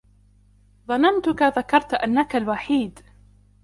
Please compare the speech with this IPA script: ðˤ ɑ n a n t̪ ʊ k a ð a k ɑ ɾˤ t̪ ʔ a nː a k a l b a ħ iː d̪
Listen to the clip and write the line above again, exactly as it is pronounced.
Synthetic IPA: ðˤ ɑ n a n t̪ ʊ k a ð a k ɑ ɾˤ t̪ ʔ a nː a k a l w a ħ iː d̪